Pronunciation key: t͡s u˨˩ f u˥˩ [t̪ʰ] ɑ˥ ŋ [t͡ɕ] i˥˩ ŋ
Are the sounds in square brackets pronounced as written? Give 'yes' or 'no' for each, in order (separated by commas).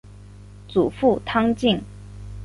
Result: yes, yes